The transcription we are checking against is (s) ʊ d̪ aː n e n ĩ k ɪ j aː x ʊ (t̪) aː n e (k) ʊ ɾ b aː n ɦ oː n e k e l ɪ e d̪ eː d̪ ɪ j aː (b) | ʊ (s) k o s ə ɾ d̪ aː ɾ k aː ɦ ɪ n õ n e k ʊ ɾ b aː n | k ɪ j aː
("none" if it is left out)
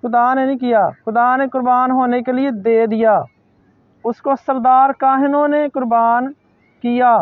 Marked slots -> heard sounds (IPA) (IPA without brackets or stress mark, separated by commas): x, d̪, k, none, s